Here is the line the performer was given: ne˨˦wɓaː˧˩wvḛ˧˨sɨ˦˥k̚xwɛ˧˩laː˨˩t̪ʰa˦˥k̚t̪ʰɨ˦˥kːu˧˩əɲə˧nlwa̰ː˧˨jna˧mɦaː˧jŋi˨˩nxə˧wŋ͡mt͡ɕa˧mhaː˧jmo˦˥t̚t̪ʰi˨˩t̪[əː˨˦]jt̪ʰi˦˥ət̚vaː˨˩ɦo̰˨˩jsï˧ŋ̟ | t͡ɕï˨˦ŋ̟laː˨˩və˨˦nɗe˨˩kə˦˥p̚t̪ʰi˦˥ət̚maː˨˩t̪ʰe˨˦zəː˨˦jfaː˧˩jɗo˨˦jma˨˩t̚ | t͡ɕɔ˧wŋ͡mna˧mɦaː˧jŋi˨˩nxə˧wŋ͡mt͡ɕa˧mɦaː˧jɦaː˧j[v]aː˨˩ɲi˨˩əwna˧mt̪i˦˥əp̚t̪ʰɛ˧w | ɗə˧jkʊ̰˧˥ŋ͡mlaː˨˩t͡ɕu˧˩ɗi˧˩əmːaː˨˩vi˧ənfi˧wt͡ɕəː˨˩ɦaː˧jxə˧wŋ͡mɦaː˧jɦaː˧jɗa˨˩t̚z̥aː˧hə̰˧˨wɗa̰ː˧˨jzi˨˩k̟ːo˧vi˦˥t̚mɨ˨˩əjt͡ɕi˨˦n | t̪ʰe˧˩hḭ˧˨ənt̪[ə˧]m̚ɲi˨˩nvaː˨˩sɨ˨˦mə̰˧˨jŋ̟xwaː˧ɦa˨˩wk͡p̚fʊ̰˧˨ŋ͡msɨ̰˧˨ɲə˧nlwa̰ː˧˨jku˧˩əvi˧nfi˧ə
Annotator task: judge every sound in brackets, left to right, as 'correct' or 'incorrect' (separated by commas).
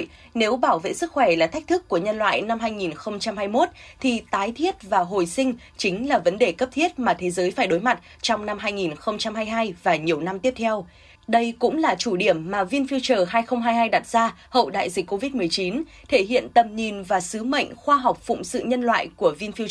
incorrect, correct, incorrect